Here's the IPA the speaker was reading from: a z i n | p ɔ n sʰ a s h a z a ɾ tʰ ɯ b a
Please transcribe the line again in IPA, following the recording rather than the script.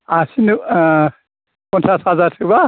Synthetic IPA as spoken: a s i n | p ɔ n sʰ a s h a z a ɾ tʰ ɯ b a